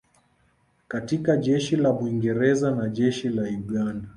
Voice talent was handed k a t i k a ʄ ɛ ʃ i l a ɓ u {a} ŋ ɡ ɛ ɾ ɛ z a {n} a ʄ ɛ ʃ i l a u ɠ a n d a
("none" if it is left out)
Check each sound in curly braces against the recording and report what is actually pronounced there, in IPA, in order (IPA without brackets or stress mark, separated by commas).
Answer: i, n